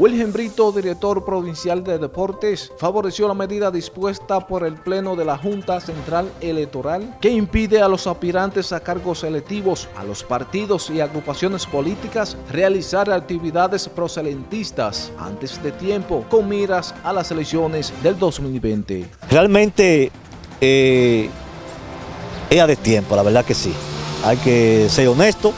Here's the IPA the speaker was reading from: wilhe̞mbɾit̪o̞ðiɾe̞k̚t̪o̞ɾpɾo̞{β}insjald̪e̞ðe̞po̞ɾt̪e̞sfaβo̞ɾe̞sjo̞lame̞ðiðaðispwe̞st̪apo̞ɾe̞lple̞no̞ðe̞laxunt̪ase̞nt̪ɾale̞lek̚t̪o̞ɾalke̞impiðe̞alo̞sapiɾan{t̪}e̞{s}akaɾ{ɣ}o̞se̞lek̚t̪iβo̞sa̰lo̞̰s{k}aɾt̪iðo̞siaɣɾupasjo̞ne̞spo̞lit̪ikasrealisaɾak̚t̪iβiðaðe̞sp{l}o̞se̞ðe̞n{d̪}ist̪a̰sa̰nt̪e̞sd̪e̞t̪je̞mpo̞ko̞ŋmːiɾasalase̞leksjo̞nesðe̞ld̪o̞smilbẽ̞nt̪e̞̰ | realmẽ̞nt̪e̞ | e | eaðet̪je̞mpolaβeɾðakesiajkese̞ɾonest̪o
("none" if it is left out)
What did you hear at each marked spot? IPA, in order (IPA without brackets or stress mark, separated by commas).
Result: β, t̪, s, ɣ, p, ɾ, t̪